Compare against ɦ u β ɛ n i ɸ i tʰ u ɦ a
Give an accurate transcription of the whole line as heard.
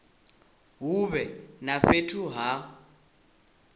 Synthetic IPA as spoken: ɦ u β ɛ n a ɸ e tʰ u ɦ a

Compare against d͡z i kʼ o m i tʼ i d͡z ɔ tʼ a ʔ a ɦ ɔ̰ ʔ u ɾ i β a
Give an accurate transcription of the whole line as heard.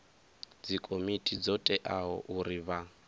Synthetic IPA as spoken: d͡z i kʼ o m i tʼ i d͡z ɔ tʼ ɛ ʔ a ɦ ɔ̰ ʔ u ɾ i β a

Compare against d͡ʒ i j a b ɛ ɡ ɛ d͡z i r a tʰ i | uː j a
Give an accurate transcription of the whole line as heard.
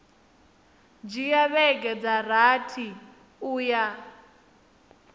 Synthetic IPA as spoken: d͡ʒ i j a β ɛ ɡ ɛ d͡z a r a tʰ i | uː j a

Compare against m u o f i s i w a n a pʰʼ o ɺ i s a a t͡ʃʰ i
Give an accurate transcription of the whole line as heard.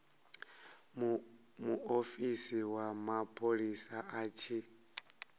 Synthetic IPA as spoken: m u o f i s i w a m a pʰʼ o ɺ i s a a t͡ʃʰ i

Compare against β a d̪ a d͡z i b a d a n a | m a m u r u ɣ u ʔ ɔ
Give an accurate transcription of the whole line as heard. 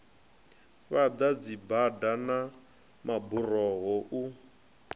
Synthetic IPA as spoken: β a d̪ a d͡z i b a d a n a | m a b u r ɔ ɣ ɔ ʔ u

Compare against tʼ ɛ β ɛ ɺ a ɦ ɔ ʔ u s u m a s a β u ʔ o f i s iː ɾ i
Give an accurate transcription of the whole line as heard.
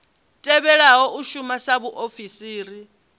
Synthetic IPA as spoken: tʼ ɛ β ɛ ɺ a ɦ ɔ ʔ u ʃ u m a s a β u ʔ o f i s iː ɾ i

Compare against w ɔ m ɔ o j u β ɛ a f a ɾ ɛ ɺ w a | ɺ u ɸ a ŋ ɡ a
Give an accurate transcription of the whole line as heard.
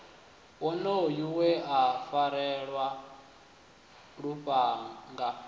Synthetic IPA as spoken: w ɔ n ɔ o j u w ɛ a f a ɾ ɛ ɺ w a | ɺ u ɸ a ŋ ɡ a

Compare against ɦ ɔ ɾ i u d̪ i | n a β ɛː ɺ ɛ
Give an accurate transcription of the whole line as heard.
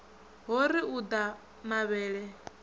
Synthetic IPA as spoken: ɦ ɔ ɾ i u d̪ a | m a β ɛː ɺ ɛ

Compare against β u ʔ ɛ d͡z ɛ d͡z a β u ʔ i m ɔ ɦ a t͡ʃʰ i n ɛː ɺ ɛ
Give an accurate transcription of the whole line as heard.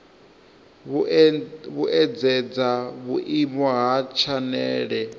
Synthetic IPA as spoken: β u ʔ ɛ d͡z ɛ d͡z a β u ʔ i m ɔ ɦ a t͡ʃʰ a n ɛː ɺ ɛ

